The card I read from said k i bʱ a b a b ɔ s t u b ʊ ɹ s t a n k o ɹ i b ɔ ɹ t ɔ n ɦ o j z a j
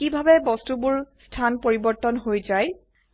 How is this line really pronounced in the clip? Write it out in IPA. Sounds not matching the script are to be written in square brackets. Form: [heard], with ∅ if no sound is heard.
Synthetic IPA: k i bʱ a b [ɛ] b ɔ s t u b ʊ ɹ s [tʰ] a n [p] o ɹ i b ɔ ɹ t ɔ n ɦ o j z a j